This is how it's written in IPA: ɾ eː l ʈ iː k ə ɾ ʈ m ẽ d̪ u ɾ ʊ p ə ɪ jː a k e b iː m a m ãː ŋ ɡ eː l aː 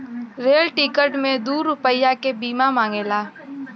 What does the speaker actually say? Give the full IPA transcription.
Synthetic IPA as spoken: ɾ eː l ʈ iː k ə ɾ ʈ m ẽ d̪ uː ɾ ʊ p ə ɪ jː a k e b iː m a m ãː ŋ ɡ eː l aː